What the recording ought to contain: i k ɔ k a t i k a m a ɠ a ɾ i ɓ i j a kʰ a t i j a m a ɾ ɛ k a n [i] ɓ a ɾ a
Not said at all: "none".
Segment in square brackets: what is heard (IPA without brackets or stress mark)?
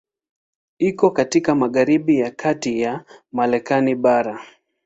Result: i